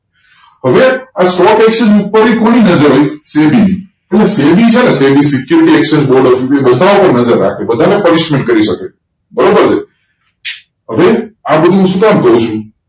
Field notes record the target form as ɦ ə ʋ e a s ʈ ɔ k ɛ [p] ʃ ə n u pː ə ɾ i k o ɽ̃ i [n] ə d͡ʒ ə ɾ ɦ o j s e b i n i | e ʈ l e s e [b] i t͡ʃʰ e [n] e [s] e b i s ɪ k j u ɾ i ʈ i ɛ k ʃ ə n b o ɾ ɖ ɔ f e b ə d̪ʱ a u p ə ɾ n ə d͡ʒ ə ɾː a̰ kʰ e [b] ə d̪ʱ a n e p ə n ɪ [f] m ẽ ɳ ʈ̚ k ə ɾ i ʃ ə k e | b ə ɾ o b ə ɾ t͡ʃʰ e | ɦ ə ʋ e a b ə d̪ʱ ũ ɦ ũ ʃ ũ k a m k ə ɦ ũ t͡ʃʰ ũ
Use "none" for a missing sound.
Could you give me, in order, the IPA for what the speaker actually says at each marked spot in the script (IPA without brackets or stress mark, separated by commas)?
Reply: k, n, b, n, s, b, ʃ